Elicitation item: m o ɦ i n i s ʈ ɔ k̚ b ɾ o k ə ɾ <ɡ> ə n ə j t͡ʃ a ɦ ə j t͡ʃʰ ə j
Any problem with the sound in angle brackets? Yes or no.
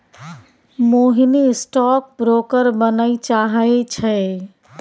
yes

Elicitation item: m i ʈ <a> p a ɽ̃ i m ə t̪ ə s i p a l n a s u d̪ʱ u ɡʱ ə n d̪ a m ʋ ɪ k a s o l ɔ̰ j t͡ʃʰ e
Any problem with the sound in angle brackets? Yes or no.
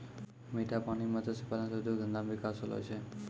no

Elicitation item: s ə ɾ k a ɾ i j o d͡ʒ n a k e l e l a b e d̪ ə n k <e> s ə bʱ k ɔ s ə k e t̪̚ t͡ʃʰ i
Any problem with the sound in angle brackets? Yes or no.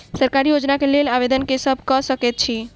no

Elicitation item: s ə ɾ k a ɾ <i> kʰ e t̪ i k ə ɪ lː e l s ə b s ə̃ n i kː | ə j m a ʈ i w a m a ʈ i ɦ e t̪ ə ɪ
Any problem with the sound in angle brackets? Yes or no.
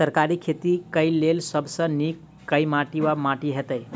no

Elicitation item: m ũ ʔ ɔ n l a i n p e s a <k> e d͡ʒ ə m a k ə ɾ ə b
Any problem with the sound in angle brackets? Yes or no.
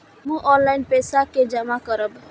no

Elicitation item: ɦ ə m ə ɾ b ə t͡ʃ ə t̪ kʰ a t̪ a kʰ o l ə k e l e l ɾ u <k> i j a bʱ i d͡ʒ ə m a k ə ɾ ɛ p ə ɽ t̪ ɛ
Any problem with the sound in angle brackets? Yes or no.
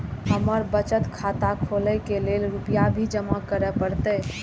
yes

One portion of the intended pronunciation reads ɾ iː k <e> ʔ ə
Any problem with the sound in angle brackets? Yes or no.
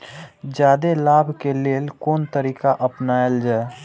yes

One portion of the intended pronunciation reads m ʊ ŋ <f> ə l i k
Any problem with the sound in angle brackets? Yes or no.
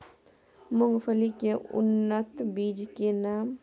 no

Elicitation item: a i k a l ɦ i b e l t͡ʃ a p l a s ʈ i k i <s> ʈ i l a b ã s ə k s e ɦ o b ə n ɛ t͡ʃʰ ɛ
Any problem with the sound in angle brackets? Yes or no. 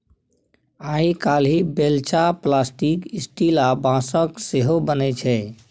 no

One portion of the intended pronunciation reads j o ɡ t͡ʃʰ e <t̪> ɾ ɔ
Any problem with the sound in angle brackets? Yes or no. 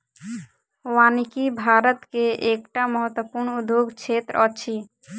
no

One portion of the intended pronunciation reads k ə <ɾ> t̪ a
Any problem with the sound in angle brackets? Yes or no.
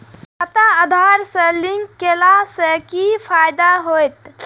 yes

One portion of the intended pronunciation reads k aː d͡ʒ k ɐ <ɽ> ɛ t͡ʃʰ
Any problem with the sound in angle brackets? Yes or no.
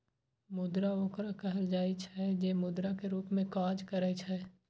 yes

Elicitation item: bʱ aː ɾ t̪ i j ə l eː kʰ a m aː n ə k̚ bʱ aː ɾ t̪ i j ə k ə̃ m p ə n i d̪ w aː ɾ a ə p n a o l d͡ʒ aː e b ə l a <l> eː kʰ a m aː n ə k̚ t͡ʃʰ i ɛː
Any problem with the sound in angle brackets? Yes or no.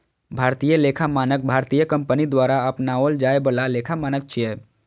no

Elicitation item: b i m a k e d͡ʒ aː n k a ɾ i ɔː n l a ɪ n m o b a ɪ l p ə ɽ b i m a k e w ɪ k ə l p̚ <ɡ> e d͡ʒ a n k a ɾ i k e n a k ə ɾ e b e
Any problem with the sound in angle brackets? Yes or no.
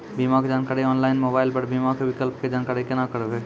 yes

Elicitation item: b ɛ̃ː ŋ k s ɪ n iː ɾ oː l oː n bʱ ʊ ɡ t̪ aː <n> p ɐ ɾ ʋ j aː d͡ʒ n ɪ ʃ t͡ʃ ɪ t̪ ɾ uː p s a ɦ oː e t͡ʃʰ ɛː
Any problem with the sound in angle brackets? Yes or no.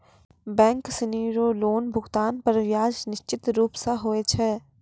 no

